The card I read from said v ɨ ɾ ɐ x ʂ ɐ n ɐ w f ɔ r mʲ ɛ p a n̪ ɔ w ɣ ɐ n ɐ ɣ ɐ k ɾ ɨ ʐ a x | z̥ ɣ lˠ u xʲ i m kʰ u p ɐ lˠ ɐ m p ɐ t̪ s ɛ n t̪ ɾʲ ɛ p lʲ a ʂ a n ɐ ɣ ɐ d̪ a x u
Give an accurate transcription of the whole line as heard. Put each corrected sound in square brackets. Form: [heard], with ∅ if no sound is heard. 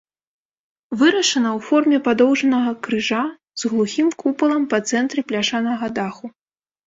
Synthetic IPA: v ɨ ɾ ɐ [∅] ʂ ɐ n ɐ w f ɔ r mʲ ɛ p a [d̪] ɔ w [ʐ] ɐ n ɐ ɣ ɐ k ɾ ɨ ʐ a [∅] | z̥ ɣ lˠ u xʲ i m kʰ u p ɐ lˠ ɐ m p ɐ t̪ s ɛ n t̪ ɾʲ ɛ p lʲ a ʂ a n ɐ ɣ ɐ d̪ a x u